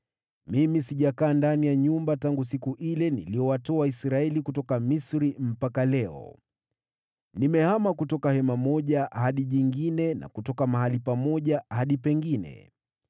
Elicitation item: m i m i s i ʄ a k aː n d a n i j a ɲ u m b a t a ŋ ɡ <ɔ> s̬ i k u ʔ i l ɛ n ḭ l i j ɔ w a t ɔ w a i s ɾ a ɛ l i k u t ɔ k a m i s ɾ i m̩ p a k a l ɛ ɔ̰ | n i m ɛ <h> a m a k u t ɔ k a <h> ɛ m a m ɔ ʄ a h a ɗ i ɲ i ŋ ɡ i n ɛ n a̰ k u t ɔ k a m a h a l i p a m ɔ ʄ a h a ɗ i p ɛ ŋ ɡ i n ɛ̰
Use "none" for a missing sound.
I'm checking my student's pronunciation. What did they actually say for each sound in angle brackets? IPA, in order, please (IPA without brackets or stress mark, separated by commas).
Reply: u, h, h